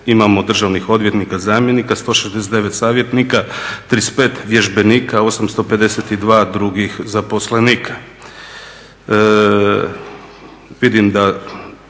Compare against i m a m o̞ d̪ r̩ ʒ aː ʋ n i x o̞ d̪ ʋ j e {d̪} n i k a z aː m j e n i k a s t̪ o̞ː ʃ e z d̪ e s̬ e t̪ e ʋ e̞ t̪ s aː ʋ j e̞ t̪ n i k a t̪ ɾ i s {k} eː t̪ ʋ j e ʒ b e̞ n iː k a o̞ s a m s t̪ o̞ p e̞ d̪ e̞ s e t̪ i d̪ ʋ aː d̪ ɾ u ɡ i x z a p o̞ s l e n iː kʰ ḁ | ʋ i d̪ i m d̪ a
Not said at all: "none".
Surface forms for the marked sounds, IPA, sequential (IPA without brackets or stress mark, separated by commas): t̪, p